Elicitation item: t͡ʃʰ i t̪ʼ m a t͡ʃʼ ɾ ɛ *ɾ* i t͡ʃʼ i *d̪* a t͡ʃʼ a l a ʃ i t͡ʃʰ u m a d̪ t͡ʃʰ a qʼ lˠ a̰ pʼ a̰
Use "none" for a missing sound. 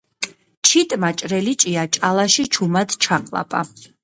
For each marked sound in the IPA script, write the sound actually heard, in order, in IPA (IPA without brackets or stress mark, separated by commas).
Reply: l, none